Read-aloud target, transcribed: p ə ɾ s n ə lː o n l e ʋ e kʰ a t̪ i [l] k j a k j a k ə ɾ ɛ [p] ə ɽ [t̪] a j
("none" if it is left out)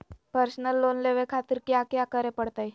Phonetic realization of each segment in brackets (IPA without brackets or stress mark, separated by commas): ɾ, p, t̪